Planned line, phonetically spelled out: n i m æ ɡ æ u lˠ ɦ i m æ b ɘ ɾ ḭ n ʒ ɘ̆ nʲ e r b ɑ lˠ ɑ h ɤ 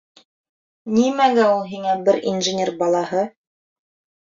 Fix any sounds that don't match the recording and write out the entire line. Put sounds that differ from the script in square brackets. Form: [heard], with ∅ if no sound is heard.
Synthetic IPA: n i m æ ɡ æ u lˠ ɦ i [ŋ] æ b ɘ ɾ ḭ n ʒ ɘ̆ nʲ e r b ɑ lˠ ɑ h ɤ